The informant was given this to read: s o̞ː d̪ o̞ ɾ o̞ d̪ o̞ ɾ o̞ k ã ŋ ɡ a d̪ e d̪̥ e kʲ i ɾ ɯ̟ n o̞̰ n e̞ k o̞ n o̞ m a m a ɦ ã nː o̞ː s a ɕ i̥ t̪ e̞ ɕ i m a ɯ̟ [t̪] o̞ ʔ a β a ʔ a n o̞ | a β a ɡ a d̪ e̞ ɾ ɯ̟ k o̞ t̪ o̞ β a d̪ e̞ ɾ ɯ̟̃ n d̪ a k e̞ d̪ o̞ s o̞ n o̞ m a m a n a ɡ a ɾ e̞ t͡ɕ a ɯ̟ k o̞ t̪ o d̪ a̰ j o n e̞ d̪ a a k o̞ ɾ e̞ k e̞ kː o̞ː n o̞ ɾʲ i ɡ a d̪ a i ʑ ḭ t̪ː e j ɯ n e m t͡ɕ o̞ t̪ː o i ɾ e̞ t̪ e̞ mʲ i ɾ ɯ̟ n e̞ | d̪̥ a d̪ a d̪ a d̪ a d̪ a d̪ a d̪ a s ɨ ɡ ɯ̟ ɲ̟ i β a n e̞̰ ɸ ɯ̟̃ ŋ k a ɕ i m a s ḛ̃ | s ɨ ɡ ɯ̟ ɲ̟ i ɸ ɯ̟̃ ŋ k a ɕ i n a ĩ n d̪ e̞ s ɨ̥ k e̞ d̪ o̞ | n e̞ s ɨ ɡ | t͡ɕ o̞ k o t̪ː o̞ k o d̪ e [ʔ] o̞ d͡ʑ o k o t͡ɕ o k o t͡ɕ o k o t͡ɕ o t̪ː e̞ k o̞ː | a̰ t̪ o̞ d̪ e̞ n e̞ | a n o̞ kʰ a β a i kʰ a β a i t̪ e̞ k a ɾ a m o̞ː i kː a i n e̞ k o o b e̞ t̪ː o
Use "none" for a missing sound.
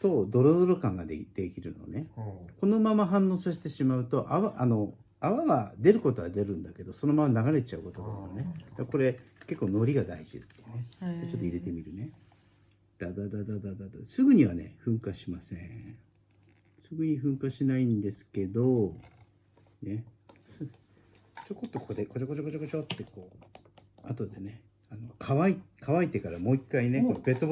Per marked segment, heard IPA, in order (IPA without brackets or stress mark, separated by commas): t̪, k